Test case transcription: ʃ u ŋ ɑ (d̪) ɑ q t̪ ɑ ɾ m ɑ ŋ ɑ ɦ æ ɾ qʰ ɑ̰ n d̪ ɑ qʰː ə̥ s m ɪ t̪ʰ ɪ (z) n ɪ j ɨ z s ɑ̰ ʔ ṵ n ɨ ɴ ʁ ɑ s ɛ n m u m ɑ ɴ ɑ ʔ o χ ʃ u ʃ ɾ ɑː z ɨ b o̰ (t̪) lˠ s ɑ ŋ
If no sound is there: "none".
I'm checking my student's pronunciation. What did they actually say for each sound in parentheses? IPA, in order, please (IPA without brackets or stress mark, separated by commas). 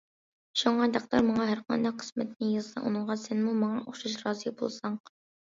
d̪, none, none